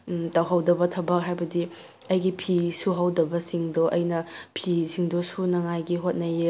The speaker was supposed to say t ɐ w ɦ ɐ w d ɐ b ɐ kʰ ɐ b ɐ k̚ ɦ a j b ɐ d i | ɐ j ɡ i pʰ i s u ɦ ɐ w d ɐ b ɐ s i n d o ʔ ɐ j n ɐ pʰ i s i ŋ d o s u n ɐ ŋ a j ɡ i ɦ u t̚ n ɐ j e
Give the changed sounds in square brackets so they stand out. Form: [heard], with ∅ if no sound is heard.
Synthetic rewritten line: t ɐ w ɦ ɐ w d ɐ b ɐ [tʰ] ɐ b ɐ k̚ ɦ a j b ɐ d i | ɐ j ɡ i pʰ i s u ɦ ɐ w d ɐ b ɐ s i [ŋ] d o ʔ ɐ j n ɐ pʰ i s i ŋ d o s u n ɐ ŋ a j ɡ i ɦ [o] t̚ n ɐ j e